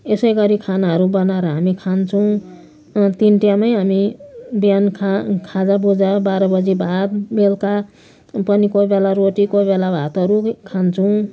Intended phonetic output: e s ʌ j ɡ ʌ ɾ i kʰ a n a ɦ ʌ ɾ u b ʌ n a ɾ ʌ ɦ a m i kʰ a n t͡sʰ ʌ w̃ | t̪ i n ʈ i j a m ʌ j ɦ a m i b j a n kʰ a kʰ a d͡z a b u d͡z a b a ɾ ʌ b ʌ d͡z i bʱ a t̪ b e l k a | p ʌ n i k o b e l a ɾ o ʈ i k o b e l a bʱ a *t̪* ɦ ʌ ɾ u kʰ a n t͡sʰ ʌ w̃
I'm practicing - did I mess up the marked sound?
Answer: no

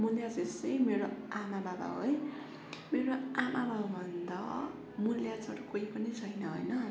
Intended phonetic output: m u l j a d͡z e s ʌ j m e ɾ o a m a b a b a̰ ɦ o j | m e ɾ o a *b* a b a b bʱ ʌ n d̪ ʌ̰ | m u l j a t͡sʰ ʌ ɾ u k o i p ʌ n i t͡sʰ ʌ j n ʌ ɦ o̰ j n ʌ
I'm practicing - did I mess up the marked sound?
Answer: yes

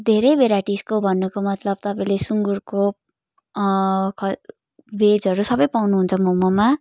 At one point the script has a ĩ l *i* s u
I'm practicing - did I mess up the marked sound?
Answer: yes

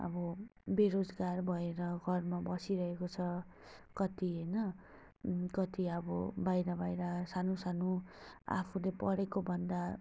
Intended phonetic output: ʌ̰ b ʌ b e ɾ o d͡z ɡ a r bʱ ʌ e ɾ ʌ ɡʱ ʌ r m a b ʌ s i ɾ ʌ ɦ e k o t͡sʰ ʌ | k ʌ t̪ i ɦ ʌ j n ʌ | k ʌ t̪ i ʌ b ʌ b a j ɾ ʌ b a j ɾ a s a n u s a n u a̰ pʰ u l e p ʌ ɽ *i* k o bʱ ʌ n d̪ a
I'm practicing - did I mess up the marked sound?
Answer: yes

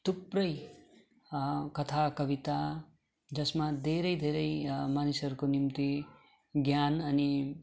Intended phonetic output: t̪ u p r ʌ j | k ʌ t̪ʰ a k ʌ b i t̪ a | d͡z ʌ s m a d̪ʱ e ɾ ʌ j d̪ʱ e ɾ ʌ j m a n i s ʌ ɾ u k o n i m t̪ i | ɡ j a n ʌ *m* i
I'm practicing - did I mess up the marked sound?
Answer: yes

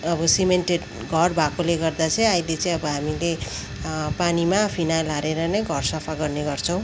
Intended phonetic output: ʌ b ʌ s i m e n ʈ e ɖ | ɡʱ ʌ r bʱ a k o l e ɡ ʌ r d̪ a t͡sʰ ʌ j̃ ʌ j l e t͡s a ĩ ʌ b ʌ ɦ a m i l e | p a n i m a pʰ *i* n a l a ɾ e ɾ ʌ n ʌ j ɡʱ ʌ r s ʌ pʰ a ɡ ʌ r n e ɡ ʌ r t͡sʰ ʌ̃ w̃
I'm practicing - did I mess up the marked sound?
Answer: no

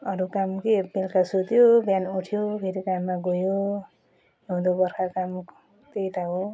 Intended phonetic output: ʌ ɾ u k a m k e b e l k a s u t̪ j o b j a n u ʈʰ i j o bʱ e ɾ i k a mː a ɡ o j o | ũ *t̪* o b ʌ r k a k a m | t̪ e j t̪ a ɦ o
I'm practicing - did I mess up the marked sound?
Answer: yes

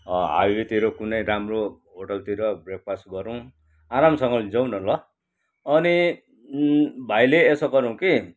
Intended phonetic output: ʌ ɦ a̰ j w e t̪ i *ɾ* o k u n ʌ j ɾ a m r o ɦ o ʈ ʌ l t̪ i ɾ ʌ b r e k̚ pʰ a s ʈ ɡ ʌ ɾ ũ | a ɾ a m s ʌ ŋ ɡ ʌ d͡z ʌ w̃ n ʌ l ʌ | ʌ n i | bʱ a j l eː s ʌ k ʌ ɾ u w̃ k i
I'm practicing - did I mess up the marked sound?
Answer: no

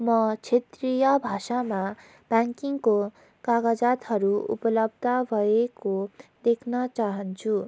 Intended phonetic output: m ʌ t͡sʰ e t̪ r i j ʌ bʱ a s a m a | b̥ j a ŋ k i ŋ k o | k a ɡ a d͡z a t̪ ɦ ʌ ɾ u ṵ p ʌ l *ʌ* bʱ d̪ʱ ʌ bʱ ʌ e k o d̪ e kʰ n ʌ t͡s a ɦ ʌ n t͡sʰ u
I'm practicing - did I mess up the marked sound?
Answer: no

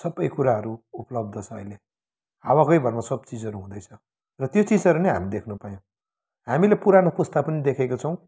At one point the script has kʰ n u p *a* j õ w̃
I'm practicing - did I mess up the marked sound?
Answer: no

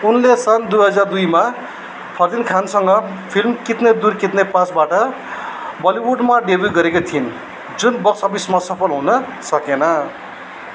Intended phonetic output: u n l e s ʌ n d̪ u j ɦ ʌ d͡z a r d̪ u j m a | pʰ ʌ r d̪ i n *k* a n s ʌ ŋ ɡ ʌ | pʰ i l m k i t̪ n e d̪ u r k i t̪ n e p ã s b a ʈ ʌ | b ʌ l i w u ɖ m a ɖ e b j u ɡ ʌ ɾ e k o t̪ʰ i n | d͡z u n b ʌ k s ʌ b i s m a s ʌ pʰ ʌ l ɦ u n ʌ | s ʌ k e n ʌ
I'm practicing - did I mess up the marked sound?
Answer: yes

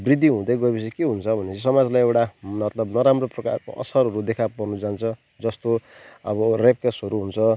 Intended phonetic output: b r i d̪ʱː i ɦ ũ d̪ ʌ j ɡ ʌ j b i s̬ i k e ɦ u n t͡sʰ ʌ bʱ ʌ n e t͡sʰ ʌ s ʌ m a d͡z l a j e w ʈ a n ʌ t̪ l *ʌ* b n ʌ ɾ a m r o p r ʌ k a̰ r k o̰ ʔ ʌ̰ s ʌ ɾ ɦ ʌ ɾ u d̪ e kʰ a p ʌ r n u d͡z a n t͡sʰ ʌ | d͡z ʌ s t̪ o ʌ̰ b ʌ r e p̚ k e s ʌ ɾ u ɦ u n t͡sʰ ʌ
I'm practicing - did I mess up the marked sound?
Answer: no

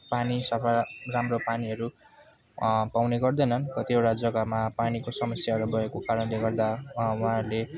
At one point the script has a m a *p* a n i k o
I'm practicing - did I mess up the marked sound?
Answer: no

